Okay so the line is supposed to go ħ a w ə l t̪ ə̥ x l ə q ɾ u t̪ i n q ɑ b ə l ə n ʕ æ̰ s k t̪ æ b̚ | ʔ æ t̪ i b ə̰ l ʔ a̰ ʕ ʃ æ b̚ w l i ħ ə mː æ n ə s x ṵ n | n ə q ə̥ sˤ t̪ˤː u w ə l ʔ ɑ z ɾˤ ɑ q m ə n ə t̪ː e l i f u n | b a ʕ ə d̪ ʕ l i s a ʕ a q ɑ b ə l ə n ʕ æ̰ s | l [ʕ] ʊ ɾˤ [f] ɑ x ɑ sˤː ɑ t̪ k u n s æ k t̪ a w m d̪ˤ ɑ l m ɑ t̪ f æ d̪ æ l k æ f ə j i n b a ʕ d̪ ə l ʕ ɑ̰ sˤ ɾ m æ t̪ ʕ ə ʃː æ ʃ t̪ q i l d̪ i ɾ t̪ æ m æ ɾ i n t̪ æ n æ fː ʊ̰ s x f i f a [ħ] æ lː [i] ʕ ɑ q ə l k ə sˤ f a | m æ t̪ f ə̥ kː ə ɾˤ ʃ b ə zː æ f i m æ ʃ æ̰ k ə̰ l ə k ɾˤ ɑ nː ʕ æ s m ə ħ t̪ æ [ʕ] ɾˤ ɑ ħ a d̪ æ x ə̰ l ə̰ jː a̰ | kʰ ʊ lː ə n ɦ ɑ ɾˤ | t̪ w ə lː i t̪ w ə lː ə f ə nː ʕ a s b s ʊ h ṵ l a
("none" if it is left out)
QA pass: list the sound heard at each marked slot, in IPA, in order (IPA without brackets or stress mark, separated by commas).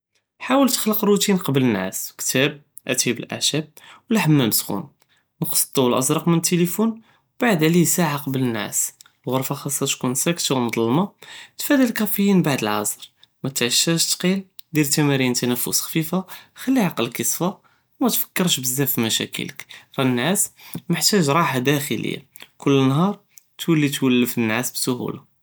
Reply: ɣ, f, x, i, ʒ